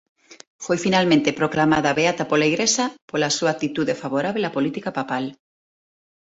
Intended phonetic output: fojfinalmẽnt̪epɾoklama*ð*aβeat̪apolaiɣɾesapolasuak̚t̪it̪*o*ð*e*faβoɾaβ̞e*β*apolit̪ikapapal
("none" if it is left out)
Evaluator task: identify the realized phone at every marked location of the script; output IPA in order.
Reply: ð, u, e, none

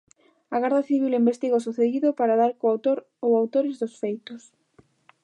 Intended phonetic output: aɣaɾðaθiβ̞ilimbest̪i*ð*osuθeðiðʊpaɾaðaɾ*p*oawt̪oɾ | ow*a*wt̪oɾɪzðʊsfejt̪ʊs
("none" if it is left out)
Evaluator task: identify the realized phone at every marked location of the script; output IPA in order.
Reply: ɣ, k, a

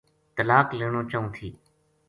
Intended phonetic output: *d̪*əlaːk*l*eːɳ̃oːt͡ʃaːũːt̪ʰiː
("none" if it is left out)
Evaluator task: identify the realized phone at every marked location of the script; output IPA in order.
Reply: t̪, l

